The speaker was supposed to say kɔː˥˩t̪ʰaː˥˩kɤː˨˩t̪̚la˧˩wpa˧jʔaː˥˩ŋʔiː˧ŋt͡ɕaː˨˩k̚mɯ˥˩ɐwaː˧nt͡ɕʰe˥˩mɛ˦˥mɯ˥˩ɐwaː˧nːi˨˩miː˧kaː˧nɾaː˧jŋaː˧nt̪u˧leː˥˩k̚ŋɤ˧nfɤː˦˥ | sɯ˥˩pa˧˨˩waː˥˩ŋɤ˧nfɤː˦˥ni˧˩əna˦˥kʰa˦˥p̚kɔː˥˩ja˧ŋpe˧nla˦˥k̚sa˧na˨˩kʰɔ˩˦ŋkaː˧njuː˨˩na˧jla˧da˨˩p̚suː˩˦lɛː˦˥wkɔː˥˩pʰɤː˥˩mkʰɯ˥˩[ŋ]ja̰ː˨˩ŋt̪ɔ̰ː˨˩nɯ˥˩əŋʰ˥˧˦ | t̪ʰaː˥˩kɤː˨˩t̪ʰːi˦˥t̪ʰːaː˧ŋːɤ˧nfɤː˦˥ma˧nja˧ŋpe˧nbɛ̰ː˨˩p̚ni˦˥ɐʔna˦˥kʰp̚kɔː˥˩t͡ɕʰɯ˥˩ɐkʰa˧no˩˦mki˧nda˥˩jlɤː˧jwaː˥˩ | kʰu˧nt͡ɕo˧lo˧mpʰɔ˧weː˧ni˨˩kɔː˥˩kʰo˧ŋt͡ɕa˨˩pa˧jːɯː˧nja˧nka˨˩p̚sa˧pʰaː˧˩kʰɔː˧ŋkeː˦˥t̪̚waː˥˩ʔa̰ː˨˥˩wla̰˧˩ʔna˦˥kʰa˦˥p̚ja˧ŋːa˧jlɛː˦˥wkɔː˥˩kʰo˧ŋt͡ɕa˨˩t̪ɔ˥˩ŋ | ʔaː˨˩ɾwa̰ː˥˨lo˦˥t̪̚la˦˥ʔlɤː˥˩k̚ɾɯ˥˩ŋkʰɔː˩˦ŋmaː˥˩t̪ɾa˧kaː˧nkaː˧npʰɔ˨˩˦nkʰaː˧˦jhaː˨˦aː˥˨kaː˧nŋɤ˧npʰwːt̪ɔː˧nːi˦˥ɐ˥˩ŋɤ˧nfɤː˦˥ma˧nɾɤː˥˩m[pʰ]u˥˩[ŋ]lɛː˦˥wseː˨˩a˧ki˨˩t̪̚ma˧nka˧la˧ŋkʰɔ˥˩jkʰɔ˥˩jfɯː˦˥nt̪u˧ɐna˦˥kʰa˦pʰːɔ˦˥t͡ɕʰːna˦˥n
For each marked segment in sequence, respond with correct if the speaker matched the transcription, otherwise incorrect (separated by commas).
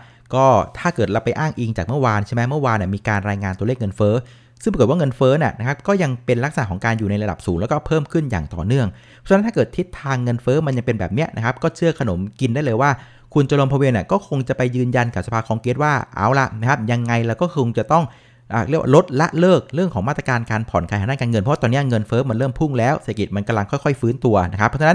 incorrect, correct, correct